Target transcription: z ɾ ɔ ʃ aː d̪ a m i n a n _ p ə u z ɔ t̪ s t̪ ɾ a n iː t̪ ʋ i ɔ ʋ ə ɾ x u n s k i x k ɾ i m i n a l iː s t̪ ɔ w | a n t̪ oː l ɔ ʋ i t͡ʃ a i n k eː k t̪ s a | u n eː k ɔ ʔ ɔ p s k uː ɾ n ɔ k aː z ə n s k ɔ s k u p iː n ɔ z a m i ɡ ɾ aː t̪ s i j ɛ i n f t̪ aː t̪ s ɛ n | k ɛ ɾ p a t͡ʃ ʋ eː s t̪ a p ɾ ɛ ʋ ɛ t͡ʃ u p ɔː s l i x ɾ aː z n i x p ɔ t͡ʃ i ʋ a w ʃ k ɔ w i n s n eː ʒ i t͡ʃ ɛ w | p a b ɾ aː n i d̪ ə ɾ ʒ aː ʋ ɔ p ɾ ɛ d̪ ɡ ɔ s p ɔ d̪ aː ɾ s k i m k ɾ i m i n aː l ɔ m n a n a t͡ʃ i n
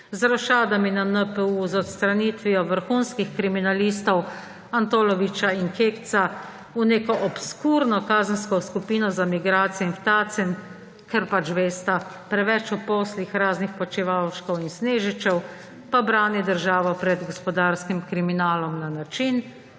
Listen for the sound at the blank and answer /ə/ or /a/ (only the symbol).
ə